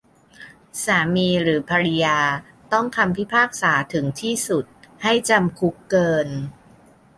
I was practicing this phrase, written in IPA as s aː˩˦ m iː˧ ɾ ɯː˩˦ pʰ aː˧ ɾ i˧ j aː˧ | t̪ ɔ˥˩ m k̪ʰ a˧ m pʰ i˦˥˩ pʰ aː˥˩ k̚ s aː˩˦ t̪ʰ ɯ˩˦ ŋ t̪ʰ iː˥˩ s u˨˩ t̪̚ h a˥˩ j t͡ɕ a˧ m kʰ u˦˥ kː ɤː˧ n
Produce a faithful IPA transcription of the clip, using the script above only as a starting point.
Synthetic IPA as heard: s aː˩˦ m iː˧ ɾ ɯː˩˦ pʰ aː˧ ɾ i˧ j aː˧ | t̪ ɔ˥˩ ŋ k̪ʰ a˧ m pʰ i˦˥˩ pʰ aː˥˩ k̚ s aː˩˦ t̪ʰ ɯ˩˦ ŋ t̪ʰ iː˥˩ s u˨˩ t̪̚ h a˥˩ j t͡ɕ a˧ m kʰ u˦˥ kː ɤː˧ n